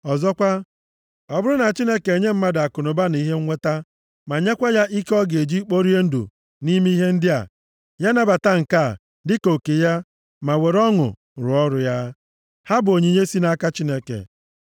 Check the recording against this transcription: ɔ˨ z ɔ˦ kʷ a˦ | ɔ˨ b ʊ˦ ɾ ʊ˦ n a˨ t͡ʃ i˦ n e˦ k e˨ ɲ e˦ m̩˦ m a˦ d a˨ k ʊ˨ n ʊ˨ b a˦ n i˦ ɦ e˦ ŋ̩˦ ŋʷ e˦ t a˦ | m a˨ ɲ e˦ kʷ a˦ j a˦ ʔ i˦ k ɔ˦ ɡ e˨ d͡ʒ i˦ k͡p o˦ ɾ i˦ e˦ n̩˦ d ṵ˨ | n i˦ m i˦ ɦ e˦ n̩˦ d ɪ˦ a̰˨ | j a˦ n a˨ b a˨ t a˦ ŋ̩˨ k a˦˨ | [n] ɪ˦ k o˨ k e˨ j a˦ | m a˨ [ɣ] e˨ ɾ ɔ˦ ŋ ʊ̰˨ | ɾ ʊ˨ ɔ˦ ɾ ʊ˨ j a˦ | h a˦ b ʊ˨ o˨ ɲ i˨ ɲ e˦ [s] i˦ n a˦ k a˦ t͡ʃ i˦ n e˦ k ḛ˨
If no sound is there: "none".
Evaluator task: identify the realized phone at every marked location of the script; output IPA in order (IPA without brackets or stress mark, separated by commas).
d, w, s